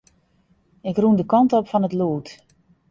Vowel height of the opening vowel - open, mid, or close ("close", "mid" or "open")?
close